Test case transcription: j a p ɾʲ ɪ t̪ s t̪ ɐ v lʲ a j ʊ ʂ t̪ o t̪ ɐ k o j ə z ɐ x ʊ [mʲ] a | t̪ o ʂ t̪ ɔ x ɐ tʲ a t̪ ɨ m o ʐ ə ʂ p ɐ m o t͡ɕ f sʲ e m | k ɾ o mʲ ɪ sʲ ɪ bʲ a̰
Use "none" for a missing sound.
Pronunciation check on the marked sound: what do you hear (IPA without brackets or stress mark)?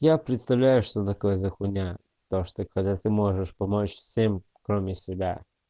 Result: nʲ